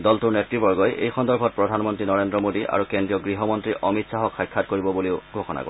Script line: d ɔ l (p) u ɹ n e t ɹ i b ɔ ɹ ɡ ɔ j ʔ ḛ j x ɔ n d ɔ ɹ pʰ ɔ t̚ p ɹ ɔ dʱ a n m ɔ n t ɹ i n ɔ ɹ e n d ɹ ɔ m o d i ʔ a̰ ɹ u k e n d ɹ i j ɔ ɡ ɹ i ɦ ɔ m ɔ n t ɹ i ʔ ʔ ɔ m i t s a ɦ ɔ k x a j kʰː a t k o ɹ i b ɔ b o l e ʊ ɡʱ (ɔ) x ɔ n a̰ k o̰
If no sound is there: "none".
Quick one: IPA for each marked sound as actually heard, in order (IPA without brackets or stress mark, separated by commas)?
t, o